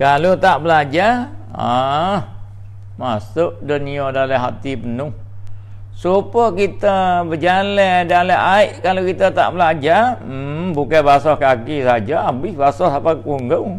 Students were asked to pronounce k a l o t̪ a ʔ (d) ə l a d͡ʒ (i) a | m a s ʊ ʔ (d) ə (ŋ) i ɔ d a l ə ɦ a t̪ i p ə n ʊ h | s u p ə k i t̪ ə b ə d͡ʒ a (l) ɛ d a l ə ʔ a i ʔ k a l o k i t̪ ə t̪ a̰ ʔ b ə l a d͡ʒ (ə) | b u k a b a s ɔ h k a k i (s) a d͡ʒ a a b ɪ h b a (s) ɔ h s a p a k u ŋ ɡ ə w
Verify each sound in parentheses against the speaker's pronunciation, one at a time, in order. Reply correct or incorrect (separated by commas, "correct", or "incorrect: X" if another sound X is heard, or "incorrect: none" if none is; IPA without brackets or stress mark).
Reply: incorrect: b, incorrect: a, correct, incorrect: n, correct, incorrect: a, correct, correct